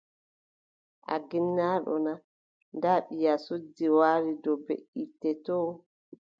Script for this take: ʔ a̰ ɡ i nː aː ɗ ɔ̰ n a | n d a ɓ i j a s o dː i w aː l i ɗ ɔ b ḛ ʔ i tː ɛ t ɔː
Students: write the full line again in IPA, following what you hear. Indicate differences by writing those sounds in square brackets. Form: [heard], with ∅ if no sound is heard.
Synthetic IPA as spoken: ʔ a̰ ɡ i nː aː ɗ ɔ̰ n a | n d a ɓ i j a s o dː i w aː [ɾ] i [d] ɔ b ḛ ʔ i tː ɛ t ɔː